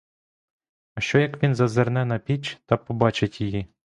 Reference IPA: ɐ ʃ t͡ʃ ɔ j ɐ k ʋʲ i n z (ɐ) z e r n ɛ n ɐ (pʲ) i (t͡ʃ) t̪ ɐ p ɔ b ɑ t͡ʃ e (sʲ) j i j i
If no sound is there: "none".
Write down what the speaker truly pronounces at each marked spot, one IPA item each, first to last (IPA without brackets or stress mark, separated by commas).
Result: ɐ, pʲ, t͡ʃ, tʲ